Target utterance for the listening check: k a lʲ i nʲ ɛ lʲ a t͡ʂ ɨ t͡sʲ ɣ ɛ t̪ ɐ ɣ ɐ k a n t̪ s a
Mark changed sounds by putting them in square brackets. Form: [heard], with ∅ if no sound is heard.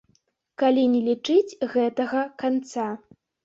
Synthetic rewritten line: k a lʲ i nʲ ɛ lʲ [i] t͡ʂ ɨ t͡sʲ ɣ ɛ t̪ ɐ ɣ ɐ k a n t̪ s a